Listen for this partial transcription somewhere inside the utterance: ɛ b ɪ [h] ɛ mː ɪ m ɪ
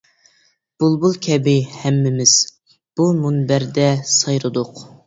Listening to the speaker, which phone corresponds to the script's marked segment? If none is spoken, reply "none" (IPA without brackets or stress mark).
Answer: h